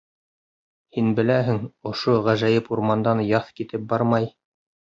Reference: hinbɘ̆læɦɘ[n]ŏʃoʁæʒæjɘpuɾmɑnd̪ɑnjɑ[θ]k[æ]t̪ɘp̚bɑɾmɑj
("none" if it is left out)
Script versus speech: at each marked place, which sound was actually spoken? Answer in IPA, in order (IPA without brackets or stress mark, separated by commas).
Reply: ŋ, θ, i